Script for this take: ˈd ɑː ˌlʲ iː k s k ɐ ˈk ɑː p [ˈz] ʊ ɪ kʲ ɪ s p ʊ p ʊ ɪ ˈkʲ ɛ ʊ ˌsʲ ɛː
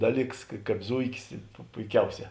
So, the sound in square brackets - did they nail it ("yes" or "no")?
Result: yes